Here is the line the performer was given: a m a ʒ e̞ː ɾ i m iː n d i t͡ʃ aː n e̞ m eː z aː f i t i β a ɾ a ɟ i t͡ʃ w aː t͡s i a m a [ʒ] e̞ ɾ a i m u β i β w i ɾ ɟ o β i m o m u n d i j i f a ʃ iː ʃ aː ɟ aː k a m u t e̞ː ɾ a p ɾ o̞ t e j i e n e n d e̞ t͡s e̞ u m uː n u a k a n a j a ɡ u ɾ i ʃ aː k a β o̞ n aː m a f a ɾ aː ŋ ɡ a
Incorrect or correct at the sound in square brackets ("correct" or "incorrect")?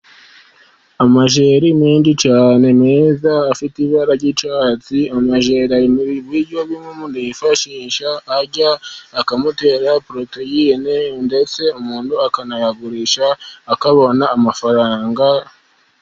correct